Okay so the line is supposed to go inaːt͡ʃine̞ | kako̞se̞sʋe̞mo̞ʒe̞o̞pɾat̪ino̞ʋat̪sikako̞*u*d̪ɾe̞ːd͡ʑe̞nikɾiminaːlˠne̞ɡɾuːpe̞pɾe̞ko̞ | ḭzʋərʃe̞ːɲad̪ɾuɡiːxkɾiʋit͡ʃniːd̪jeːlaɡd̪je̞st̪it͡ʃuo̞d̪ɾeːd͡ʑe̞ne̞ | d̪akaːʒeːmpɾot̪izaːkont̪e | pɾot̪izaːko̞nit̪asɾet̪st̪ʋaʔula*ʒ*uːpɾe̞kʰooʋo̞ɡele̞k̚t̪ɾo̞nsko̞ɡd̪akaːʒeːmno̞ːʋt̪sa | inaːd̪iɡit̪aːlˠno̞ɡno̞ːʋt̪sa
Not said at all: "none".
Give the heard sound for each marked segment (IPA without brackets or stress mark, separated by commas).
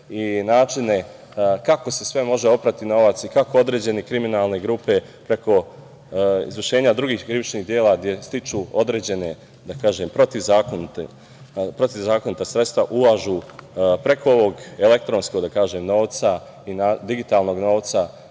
o, ʒ